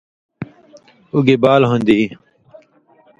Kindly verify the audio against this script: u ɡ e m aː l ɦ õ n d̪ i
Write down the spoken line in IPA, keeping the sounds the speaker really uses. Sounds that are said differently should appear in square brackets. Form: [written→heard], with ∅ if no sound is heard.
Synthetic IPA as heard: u ɡ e [m→b] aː l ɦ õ n d̪ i

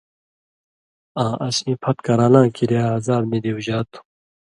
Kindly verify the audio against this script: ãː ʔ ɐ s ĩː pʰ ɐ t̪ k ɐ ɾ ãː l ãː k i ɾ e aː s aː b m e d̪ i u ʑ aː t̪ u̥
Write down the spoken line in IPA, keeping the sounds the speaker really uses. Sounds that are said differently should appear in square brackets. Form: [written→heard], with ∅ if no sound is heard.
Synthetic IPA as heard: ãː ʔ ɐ s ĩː pʰ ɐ t̪ k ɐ ɾ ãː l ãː k i ɾ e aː [s→z] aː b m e d̪ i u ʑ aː t̪ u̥

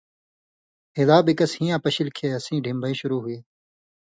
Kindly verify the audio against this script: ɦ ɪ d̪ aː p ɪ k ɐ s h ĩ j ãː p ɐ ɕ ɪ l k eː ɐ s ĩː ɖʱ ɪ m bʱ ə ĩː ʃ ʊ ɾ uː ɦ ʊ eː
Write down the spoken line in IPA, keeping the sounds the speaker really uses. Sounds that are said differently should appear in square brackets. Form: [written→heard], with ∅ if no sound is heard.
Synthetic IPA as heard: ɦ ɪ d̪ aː [p→b] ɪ k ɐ s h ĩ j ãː p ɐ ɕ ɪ l [k→kʰ] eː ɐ s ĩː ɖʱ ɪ m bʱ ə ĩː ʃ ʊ ɾ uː ɦ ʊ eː

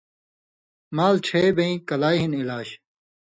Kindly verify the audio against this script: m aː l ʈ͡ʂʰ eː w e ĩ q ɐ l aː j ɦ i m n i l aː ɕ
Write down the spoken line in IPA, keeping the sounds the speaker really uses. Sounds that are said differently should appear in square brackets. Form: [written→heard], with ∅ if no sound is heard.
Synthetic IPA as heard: m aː l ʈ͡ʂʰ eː [w→b] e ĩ [q→k] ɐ l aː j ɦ i [m→∅] n i l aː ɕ

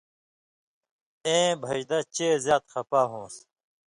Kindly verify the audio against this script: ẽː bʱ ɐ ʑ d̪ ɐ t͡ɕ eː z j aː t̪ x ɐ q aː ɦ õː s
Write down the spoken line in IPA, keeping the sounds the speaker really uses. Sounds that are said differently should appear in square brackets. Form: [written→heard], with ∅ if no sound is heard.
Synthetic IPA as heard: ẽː bʱ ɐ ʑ d̪ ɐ t͡ɕ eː z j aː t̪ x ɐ [q→p] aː ɦ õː s

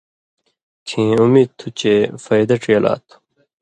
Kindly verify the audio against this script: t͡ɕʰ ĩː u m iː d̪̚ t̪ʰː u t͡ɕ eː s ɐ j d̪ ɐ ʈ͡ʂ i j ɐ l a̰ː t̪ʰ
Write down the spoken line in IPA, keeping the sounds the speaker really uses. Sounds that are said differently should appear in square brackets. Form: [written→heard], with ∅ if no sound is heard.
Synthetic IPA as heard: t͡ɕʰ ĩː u m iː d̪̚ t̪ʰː u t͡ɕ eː [s→f] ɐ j d̪ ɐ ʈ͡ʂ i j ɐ l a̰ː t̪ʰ

